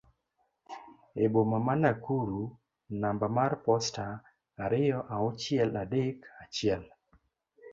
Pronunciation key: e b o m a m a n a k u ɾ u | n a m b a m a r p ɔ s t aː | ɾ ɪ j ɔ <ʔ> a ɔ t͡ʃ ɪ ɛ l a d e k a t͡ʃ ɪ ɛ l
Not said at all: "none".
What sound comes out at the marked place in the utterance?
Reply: ʔ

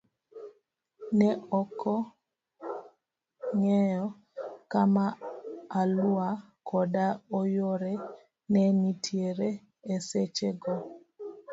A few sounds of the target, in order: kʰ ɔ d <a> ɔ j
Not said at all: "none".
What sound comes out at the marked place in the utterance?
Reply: a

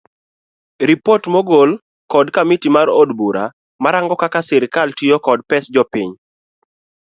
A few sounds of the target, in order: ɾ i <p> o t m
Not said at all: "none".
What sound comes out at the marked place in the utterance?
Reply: p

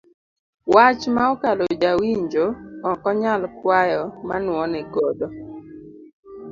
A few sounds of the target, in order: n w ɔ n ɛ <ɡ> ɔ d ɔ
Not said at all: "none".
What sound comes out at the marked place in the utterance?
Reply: ɡ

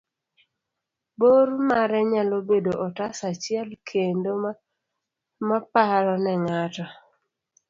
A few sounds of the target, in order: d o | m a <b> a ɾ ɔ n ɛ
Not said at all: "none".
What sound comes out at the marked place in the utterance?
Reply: p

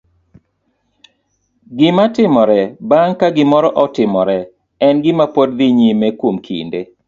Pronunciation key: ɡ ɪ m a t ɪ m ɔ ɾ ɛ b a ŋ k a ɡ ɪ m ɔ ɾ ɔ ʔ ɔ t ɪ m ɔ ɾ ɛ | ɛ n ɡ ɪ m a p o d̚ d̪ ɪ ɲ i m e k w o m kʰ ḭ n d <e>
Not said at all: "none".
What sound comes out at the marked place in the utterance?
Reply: e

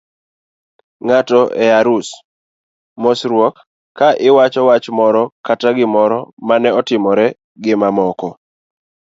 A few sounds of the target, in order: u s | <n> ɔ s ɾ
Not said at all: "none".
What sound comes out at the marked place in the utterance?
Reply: m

